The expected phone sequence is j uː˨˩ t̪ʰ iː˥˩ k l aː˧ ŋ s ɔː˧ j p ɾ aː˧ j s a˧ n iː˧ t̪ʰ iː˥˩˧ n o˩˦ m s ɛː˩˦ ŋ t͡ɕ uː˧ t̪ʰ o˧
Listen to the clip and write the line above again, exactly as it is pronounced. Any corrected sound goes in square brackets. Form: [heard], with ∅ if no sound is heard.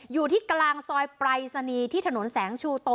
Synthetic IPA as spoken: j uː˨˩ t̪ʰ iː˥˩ k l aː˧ ŋ s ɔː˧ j p ɾ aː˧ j s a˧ n iː˧ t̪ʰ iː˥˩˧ n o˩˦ [n] s ɛː˩˦ ŋ [t͡ɕʰ] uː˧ [t̪] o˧